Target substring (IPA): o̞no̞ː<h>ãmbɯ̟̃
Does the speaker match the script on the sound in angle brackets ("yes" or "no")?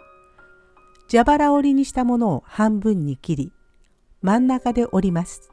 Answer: yes